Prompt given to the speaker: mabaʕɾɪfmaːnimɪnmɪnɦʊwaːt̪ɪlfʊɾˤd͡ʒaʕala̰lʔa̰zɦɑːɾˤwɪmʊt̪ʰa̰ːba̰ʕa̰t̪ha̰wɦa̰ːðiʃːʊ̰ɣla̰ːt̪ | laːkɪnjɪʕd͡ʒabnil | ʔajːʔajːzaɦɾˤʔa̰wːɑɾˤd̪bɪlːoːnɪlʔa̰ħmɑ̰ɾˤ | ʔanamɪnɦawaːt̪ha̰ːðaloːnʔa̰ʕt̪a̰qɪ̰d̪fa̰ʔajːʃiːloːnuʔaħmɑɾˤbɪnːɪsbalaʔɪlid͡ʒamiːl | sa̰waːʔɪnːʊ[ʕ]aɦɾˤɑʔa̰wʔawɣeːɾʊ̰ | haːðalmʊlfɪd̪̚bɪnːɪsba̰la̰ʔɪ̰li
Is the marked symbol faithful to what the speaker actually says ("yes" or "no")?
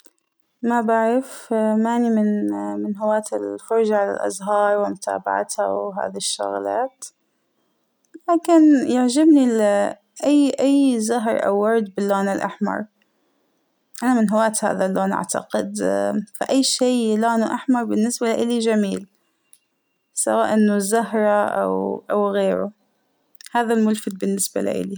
no